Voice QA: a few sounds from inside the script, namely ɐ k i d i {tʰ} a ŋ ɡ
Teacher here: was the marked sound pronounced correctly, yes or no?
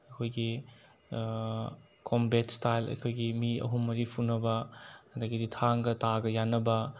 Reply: yes